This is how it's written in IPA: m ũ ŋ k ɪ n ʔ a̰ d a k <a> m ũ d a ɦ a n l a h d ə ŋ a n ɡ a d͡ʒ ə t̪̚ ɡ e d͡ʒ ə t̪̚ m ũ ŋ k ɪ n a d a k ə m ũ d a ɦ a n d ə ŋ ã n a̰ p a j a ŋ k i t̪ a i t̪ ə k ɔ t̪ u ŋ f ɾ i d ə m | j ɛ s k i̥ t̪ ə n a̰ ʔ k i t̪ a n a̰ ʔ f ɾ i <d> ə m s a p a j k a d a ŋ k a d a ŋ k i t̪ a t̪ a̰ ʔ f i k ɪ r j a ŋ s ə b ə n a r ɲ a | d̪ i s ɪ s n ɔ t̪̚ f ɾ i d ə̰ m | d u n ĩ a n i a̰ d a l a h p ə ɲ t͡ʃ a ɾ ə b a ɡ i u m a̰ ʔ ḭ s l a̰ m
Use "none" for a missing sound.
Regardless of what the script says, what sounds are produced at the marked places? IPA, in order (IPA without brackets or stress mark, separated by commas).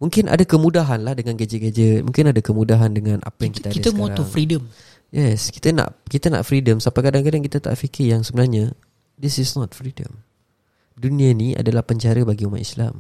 ə, d